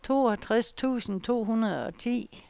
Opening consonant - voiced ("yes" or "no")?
no